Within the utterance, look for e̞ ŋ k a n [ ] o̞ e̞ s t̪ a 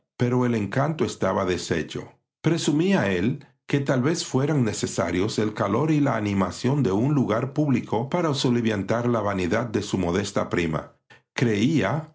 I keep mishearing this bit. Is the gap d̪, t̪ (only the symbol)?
t̪